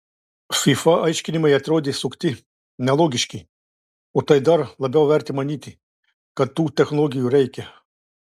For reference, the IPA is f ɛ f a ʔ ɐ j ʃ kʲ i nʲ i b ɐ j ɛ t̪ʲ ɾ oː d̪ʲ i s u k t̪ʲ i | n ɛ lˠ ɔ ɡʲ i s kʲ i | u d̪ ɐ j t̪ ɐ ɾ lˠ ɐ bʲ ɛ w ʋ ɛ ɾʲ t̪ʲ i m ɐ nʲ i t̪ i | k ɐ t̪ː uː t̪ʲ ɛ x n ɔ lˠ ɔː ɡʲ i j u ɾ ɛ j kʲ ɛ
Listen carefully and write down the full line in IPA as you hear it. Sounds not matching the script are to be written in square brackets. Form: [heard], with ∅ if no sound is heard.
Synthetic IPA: f [i] f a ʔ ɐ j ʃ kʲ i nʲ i [m] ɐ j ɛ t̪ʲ ɾ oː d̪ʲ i s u k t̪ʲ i | n ɛ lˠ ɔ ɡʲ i [ʃ] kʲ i | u [t̪] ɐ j [d̪] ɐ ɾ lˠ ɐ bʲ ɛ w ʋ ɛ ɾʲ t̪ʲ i m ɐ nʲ i t̪ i | k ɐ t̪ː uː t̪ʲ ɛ x n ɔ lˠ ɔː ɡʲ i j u ɾ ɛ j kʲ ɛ

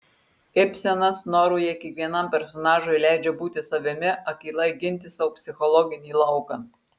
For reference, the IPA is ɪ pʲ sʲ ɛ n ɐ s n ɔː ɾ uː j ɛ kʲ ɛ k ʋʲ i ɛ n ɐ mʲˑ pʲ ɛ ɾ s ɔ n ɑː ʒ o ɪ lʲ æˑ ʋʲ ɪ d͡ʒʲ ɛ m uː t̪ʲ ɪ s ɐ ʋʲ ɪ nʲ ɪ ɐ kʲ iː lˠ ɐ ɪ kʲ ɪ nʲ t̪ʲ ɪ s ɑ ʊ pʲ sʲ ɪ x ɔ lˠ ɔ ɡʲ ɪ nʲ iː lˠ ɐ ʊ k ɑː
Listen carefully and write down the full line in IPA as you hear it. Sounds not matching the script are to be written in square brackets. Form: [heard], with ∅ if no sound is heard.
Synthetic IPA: ɪ pʲ sʲ ɛ n ɐ s n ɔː ɾ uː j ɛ kʲ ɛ k ʋʲ i ɛ n ɐ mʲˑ pʲ ɛ ɾ s ɔ n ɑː ʒ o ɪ lʲ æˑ [∅] ɪ d͡ʒʲ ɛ [b] uː t̪ʲ ɪ s ɐ ʋʲ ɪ [mʲ] ɪ ɐ kʲ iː lˠ ɐ ɪ [ɡʲ] ɪ nʲ t̪ʲ ɪ s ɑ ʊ pʲ sʲ ɪ x ɔ lˠ ɔ ɡʲ ɪ nʲ iː lˠ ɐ ʊ k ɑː

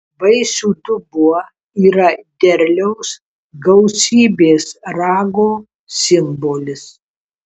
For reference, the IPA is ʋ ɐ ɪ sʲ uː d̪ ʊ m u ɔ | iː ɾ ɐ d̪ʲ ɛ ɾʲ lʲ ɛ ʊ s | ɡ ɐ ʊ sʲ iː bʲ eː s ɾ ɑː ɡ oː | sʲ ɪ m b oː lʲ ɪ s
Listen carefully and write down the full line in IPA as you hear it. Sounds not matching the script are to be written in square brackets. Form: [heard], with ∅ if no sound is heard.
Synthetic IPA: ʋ ɐ ɪ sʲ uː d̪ ʊ [b] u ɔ | iː ɾ ɐ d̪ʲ ɛ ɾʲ lʲ ɛ ʊ s | ɡ ɐ ʊ sʲ iː bʲ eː s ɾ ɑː ɡ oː | sʲ ɪ m b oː lʲ ɪ s

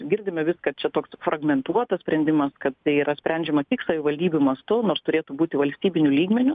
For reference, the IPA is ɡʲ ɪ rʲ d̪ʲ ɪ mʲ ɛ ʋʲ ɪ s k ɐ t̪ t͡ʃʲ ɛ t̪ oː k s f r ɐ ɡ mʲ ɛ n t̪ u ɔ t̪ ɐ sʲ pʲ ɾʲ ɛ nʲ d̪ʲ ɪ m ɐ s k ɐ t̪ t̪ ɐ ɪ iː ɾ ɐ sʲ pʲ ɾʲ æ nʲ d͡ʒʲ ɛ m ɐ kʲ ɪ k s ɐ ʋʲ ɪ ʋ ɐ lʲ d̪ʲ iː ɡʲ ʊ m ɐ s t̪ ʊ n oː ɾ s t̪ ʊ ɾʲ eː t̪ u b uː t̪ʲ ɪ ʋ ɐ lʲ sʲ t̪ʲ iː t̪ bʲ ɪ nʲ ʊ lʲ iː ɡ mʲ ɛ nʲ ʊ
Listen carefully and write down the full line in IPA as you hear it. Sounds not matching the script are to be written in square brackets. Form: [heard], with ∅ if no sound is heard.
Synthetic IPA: ɡʲ ɪ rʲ d̪ʲ ɪ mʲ ɛ ʋʲ ɪ s k ɐ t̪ t͡ʃʲ ɛ t̪ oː k s f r ɐ ɡ mʲ ɛ n t̪ u ɔ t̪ ɐ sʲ pʲ ɾʲ ɛ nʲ d̪ʲ ɪ m ɐ s k ɐ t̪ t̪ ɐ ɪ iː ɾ ɐ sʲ pʲ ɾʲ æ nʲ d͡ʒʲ ɛ m ɐ kʲ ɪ k s ɐ ʋʲ ɪ ʋ ɐ lʲ d̪ʲ iː [bʲ] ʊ m ɐ s t̪ ʊ n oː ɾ s t̪ ʊ ɾʲ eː t̪ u b uː t̪ʲ ɪ ʋ ɐ lʲ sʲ t̪ʲ iː [∅] bʲ ɪ nʲ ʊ lʲ iː ɡ mʲ ɛ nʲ ʊ

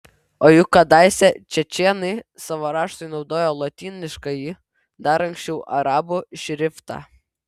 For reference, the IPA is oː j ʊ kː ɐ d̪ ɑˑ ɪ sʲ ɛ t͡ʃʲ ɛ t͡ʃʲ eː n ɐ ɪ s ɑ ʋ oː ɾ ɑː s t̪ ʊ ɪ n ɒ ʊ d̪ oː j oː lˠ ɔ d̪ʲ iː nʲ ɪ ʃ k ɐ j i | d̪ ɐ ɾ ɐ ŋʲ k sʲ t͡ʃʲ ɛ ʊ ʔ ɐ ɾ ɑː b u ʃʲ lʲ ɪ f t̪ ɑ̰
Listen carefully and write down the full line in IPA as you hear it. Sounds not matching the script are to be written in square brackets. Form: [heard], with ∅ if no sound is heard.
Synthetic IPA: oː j ʊ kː ɐ d̪ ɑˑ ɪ sʲ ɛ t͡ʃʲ ɛ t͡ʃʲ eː n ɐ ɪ s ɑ ʋ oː ɾ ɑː [ʃ] t̪ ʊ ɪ n ɒ ʊ d̪ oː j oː lˠ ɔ [t̪ʲ] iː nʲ ɪ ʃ k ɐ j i | d̪ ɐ ɾ ɐ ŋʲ k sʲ t͡ʃʲ ɛ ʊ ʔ ɐ ɾ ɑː b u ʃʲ [ɾʲ] ɪ f t̪ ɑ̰

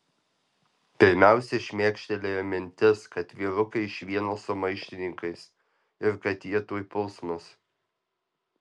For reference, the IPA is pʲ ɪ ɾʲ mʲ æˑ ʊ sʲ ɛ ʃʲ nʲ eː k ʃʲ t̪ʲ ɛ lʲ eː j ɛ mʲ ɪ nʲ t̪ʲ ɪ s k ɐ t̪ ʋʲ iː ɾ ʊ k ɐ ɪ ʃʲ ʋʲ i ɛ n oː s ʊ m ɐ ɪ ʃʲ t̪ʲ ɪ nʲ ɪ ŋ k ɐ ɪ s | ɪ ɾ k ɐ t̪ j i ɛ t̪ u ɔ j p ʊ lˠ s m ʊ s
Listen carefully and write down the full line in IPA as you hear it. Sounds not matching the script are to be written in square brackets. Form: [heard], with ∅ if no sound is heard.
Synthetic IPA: pʲ ɪ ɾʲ mʲ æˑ ʊ sʲ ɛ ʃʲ [mʲ] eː k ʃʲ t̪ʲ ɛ lʲ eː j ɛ mʲ ɪ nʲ t̪ʲ ɪ s k ɐ t̪ ʋʲ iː ɾ ʊ k ɐ ɪ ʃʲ ʋʲ i ɛ n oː s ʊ m ɐ ɪ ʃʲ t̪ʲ ɪ nʲ ɪ ŋ k ɐ ɪ s | ɪ ɾ k ɐ t̪ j i ɛ t̪ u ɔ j p ʊ lˠ s m ʊ s

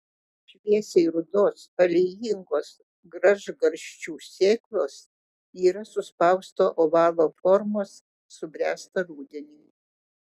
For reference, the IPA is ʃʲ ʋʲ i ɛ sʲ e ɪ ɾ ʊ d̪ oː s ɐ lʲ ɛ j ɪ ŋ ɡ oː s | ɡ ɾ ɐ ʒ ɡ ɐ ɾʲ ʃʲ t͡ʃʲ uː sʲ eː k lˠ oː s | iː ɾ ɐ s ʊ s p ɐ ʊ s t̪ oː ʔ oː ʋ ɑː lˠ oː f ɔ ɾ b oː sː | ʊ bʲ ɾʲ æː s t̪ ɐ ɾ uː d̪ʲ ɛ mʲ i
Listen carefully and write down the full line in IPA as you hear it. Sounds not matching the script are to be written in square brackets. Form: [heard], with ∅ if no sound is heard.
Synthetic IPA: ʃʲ ʋʲ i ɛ sʲ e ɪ ɾ ʊ d̪ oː s ɐ lʲ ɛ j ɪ ŋ ɡ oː s | ɡ ɾ ɐ ʒ ɡ ɐ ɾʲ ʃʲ t͡ʃʲ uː sʲ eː k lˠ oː s | iː ɾ ɐ s ʊ s p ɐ ʊ s t̪ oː ʔ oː ʋ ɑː lˠ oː f ɔ ɾ [m] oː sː | ʊ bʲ ɾʲ æː s t̪ ɐ ɾ uː d̪ʲ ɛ [nʲ] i

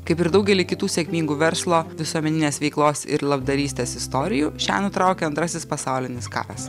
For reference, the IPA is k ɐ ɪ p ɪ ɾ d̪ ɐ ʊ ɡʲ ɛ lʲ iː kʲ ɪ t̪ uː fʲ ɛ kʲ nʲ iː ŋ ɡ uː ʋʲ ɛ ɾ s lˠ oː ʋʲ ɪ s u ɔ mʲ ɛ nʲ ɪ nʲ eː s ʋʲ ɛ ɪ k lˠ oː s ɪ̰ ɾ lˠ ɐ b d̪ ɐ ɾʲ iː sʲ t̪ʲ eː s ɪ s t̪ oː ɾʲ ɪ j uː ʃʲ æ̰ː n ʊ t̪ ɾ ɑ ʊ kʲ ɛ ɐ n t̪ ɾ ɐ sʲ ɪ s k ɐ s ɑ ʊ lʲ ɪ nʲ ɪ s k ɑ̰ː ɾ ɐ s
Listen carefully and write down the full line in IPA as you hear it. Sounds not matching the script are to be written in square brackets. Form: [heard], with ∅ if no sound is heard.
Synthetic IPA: k ɐ ɪ p ɪ ɾ d̪ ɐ ʊ ɡʲ ɛ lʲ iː kʲ ɪ t̪ uː [sʲ] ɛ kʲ [mʲ] iː ŋ ɡ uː ʋʲ ɛ ɾ s lˠ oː ʋʲ ɪ s u ɔ mʲ ɛ nʲ ɪ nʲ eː s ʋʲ ɛ ɪ k lˠ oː s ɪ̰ ɾ lˠ ɐ b d̪ ɐ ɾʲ iː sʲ t̪ʲ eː s ɪ s t̪ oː ɾʲ ɪ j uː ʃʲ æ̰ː n ʊ t̪ ɾ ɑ ʊ kʲ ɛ ɐ n t̪ ɾ ɐ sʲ ɪ s [p] ɐ s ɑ ʊ lʲ ɪ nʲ ɪ s k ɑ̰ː ɾ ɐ s

